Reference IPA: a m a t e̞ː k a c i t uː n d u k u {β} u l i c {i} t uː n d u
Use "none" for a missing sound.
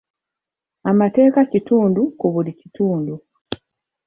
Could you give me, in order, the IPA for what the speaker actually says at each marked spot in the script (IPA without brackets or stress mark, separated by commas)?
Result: β, i